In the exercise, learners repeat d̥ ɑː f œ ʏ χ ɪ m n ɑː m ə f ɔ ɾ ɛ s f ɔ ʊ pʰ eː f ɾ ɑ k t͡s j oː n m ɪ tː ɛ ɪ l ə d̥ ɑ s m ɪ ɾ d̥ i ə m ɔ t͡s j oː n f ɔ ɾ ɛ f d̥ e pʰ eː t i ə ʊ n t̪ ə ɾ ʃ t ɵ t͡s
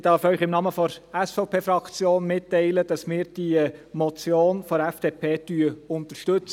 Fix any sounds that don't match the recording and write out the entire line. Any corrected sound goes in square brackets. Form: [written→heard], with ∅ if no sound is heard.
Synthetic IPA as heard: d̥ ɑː f œ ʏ χ ɪ m n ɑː m ə f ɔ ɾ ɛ s f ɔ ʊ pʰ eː f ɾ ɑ k t͡s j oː n m ɪ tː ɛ ɪ l ə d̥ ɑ s m [ɪ→ɪː] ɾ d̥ i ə m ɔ t͡s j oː n f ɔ ɾ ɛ f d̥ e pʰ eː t [i→y] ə ʊ n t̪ ə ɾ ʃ t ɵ t͡s